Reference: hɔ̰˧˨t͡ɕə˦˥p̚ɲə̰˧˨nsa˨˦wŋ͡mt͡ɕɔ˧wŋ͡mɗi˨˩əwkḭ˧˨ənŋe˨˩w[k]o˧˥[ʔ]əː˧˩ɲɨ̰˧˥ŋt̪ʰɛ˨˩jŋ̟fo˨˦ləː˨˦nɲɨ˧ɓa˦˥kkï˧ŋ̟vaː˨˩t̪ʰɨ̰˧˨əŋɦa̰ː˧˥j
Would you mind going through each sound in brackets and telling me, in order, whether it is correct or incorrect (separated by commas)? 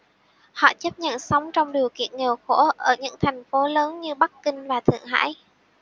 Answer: incorrect, correct